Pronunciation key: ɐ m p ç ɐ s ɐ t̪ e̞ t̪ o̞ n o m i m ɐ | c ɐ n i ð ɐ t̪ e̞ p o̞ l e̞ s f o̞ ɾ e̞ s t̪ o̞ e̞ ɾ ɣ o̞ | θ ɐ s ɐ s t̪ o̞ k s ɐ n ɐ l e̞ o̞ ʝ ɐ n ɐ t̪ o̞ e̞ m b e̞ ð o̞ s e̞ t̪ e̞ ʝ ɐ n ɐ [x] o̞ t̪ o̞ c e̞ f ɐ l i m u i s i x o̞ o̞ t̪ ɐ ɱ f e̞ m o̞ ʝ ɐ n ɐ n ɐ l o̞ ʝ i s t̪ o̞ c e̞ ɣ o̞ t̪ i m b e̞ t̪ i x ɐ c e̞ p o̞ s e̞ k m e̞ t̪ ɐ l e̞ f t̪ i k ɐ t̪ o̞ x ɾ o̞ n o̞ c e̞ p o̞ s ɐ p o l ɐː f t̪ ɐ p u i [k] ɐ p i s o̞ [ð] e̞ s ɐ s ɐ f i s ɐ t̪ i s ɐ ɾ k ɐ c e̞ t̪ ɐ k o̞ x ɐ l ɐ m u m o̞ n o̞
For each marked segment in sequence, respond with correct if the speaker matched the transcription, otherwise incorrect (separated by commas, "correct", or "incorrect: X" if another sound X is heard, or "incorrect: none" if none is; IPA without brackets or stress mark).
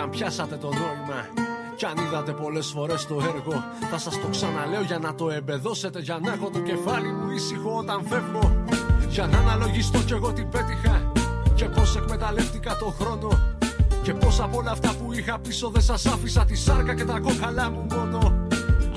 correct, incorrect: x, correct